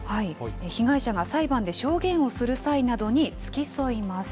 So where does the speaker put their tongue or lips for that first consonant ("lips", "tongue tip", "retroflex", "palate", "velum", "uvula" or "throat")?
throat